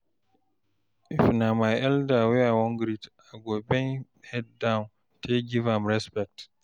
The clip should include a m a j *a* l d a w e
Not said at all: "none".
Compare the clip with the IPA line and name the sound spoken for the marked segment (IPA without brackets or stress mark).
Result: ɛ